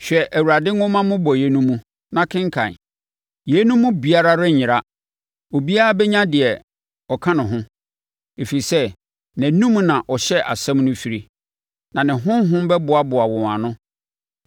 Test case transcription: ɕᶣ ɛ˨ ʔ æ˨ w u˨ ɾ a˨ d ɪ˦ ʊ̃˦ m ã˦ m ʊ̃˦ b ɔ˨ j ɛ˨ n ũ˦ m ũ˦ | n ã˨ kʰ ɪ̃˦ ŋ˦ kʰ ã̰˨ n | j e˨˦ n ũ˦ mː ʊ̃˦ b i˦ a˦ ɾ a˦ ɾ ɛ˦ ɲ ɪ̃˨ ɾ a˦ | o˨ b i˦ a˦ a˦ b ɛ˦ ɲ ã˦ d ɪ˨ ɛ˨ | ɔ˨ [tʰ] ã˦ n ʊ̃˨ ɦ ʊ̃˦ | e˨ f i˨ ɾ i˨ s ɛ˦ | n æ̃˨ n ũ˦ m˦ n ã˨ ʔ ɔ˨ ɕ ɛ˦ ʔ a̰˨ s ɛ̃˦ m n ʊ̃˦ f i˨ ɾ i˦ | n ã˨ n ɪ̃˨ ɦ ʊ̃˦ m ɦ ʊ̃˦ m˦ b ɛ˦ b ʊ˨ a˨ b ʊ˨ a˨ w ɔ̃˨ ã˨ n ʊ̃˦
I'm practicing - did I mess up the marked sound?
yes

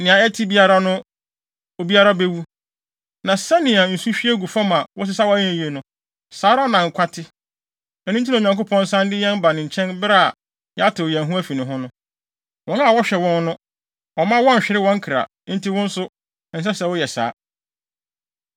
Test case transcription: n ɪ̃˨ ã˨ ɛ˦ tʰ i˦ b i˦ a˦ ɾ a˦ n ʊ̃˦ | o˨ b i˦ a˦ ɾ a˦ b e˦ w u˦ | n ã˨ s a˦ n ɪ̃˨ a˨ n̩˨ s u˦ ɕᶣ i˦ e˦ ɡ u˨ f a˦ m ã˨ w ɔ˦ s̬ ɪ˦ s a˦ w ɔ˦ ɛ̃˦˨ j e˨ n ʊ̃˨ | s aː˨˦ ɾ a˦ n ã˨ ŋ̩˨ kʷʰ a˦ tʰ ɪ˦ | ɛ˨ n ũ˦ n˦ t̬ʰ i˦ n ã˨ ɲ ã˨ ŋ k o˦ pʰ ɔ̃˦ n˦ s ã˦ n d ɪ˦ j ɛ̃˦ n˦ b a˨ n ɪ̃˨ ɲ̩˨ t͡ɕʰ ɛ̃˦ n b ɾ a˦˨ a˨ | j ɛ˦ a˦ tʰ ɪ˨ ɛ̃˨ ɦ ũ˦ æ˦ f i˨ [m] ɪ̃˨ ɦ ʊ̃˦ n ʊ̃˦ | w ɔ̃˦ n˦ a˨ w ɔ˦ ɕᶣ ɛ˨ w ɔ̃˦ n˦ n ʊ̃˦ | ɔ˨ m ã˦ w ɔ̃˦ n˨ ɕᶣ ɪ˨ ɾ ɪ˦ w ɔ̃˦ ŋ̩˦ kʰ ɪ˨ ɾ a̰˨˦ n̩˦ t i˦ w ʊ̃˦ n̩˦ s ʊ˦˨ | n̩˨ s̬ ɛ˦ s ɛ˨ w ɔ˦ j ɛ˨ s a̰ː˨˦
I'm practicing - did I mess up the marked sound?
yes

